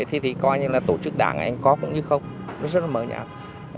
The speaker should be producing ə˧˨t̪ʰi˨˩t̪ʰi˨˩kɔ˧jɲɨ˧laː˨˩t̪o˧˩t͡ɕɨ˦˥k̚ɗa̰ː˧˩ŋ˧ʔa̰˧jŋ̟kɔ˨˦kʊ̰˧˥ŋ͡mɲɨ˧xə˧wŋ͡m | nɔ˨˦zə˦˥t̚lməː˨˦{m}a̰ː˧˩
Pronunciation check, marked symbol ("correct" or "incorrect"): incorrect